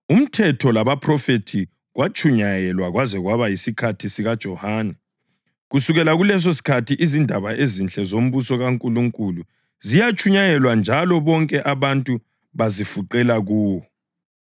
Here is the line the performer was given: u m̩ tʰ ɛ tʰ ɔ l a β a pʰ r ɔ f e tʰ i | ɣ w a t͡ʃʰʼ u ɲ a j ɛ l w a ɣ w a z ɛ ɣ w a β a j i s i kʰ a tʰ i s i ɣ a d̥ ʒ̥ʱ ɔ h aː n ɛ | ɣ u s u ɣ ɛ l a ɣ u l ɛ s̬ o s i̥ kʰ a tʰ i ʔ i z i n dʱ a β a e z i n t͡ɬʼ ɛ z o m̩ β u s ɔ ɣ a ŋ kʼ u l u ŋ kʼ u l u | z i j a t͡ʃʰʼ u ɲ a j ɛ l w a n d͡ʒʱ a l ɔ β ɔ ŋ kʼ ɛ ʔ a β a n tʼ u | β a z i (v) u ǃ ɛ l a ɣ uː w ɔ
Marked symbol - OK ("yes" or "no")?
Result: no